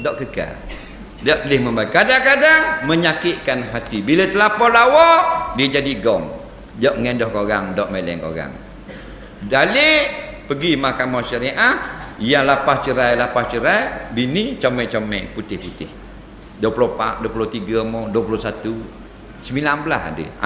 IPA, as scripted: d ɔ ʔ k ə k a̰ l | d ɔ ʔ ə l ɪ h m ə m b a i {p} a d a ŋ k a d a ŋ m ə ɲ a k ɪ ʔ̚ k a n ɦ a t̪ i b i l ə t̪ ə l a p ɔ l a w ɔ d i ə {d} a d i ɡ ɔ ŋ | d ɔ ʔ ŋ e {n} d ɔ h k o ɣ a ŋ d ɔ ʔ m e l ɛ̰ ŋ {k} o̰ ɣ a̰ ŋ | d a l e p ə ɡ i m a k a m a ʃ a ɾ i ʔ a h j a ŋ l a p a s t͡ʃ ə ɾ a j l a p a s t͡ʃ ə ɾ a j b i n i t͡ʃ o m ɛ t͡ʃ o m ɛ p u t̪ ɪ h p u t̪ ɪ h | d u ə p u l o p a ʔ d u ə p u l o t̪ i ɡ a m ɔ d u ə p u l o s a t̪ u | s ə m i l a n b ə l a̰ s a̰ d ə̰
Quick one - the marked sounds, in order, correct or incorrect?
incorrect, incorrect, correct, correct

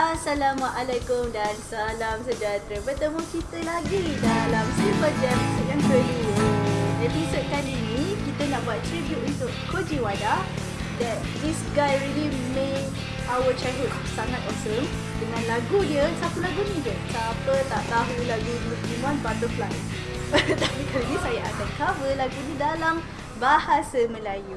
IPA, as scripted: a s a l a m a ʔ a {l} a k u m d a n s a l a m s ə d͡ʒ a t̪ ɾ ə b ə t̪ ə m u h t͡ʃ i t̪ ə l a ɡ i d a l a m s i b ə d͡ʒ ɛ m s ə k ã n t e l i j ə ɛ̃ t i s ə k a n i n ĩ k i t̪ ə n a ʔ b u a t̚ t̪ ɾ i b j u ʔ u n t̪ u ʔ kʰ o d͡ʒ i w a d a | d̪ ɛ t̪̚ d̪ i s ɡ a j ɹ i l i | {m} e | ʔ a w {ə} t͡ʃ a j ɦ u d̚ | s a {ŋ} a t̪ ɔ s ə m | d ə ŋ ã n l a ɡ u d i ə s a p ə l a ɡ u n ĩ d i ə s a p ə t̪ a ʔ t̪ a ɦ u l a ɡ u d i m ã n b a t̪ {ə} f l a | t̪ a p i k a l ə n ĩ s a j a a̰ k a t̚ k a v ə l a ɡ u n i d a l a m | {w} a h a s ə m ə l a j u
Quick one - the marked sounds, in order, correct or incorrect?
correct, correct, correct, correct, correct, incorrect

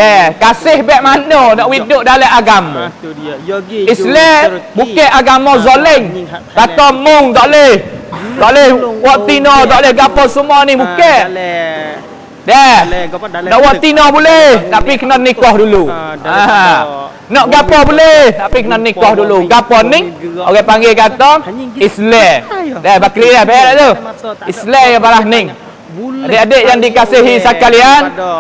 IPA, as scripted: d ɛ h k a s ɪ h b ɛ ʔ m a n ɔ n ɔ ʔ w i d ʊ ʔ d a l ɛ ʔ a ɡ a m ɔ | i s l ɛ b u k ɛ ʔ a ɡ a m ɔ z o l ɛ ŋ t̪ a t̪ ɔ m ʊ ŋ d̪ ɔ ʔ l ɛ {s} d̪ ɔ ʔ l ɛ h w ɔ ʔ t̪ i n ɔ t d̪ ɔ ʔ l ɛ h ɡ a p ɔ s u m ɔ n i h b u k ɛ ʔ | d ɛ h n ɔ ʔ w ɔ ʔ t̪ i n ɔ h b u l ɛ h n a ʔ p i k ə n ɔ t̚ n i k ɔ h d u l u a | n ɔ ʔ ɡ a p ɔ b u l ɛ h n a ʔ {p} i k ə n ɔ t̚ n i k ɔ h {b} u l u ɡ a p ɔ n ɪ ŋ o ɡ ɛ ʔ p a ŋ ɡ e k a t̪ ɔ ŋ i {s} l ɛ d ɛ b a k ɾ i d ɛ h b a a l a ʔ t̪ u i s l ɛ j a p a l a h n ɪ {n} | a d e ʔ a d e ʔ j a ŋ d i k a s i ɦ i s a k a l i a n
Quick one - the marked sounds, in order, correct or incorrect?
incorrect, correct, incorrect, correct, incorrect

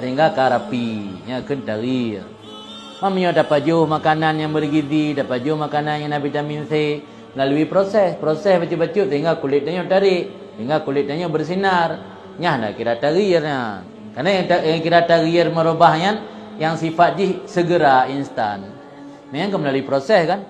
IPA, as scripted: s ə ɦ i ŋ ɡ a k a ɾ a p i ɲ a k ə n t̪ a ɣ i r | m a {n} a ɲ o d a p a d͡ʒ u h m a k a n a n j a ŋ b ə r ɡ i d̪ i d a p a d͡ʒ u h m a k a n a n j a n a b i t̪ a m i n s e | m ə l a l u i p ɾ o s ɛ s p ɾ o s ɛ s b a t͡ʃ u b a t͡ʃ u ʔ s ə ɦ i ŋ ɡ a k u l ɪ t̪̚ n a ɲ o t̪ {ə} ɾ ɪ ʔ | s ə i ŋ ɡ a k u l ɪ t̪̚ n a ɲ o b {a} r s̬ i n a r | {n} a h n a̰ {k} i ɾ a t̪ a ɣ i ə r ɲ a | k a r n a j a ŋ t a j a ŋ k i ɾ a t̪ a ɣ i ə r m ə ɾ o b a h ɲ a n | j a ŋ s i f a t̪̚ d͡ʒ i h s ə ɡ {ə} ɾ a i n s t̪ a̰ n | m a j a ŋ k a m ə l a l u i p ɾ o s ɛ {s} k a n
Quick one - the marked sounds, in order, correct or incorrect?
incorrect, incorrect, incorrect, incorrect, correct, correct, correct

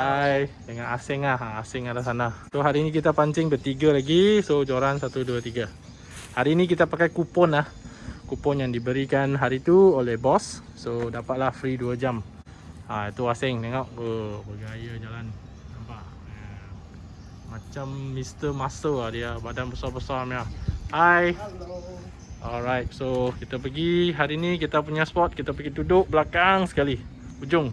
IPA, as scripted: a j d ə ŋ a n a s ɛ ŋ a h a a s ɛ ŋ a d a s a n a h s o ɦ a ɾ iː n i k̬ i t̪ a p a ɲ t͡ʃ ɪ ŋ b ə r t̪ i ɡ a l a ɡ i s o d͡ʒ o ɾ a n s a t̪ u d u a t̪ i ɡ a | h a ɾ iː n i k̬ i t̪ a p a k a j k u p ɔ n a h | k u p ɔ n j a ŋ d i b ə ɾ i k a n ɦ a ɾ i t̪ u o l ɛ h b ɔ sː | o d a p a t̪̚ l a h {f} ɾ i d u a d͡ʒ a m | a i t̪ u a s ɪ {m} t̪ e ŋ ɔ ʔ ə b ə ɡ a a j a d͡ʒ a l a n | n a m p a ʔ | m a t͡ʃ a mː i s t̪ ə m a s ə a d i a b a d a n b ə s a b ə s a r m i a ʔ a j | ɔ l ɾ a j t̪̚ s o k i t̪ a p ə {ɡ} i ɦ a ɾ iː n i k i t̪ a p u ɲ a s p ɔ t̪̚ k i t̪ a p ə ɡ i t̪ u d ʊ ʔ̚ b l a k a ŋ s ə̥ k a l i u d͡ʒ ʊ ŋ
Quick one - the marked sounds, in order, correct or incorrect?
correct, incorrect, correct

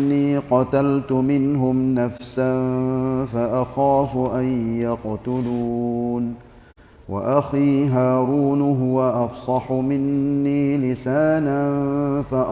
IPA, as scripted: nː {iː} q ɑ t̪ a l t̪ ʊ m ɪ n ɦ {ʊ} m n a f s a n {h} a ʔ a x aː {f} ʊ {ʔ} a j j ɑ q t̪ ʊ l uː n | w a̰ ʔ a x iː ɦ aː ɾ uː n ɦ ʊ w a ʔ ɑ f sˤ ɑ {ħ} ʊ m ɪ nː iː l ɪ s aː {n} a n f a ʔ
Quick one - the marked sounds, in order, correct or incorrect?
correct, correct, incorrect, correct, correct, correct, correct

